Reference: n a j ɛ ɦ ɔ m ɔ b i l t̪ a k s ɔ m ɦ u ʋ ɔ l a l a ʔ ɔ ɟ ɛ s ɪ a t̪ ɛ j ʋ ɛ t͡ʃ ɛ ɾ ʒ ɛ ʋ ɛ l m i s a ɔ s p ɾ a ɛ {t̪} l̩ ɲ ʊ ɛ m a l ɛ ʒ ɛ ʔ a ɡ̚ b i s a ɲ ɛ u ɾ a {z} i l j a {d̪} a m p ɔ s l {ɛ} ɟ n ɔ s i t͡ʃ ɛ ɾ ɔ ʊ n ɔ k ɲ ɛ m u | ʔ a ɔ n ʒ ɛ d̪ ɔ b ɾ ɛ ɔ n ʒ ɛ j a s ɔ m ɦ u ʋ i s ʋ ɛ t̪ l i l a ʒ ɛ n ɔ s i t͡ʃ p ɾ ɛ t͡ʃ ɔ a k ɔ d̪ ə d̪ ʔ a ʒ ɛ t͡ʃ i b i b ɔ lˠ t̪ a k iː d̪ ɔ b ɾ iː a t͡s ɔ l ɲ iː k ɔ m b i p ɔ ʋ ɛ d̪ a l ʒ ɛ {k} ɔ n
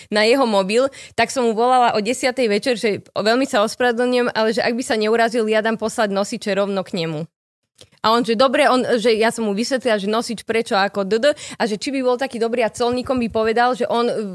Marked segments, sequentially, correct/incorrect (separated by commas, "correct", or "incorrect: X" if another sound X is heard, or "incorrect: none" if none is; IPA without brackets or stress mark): incorrect: d̪, correct, correct, incorrect: a, incorrect: ʔ